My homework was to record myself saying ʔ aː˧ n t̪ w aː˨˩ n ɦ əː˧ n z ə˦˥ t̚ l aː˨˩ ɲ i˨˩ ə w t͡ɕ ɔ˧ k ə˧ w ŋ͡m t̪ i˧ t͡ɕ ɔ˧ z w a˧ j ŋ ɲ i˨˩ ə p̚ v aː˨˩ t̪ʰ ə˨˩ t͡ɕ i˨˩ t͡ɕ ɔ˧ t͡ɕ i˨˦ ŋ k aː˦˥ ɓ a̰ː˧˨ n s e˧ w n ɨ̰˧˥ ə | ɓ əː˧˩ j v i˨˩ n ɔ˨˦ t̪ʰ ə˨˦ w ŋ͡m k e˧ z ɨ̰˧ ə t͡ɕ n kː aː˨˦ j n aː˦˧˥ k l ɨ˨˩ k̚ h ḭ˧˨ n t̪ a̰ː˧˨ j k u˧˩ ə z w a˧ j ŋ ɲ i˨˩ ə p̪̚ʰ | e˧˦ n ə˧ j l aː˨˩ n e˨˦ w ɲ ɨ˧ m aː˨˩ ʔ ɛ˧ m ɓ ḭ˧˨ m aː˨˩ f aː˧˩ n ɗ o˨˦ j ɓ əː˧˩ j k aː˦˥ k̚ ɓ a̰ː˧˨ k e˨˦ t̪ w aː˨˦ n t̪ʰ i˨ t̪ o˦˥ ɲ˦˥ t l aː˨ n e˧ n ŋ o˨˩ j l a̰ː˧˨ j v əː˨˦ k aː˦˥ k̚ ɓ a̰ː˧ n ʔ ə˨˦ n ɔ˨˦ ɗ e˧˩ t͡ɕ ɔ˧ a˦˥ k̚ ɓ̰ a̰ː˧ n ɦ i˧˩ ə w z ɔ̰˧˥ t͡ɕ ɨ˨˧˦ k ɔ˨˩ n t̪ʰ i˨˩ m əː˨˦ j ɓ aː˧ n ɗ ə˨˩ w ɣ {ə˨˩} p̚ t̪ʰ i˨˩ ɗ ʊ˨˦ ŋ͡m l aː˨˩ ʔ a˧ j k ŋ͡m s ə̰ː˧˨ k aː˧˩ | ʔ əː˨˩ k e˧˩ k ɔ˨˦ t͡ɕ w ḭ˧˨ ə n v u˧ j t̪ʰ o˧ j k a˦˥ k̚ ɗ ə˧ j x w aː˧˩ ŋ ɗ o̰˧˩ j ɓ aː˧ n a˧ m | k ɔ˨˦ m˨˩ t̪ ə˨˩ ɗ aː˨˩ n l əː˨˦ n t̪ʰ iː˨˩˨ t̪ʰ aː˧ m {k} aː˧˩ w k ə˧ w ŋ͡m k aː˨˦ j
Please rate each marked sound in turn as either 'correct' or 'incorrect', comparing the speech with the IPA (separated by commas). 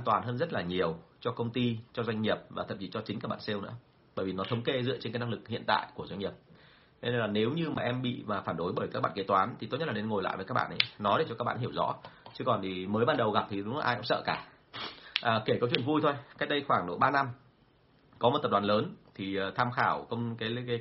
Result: incorrect, incorrect